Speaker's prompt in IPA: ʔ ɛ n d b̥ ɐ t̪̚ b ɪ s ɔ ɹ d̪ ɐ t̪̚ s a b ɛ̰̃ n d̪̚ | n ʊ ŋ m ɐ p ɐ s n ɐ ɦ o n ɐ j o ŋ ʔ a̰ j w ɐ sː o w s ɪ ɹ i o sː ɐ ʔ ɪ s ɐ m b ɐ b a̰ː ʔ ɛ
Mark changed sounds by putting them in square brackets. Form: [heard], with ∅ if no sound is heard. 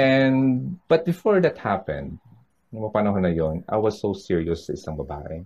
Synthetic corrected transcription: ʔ ɛ n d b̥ ɐ t̪̚ b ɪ [f] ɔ ɹ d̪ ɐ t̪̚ [h] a [p] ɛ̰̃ n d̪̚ | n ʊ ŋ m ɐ p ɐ [∅] n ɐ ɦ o n ɐ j o [n] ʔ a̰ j w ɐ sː o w s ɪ ɹ i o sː ɐ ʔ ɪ s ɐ [ŋ] b ɐ b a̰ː ʔ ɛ